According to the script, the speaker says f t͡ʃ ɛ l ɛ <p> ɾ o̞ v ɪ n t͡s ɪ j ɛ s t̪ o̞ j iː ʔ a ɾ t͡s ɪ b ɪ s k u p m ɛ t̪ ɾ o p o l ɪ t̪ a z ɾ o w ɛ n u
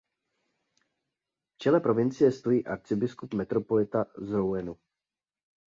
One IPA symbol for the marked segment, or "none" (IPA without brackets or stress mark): p